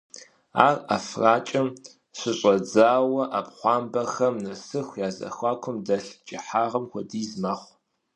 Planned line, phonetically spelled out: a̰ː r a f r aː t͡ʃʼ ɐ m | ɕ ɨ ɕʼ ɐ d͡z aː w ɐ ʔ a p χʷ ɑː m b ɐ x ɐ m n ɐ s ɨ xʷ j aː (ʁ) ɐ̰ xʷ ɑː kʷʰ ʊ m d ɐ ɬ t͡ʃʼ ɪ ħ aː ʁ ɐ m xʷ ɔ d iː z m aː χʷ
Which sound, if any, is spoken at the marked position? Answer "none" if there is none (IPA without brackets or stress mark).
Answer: z